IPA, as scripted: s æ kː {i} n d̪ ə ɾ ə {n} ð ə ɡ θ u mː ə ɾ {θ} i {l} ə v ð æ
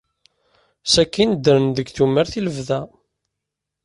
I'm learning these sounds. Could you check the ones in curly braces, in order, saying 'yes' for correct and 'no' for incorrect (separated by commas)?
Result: yes, yes, yes, yes